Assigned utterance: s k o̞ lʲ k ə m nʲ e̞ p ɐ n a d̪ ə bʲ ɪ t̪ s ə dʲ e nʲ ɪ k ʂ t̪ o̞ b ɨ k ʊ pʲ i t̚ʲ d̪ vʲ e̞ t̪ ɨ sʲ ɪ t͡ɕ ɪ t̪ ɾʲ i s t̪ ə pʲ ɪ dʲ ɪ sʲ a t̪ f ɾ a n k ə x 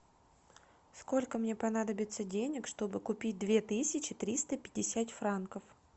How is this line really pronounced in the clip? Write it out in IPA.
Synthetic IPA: s k o̞ lʲ k ə m nʲ e̞ p ɐ n a d̪ ə bʲ ɪ t̪ s ə dʲ e nʲ ɪ k ʂ t̪ o̞ b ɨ k ʊ pʲ i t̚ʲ d̪ vʲ e̞ t̪ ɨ sʲ ɪ t͡ɕ ɪ t̪ ɾʲ i s t̪ ə pʲ ɪ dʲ ɪ sʲ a t̪ f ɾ a n k ə f